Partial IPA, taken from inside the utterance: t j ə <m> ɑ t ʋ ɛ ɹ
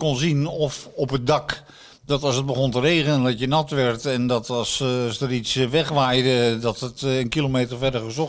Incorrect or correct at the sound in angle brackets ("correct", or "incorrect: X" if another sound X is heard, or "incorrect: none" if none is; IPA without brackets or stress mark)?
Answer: incorrect: n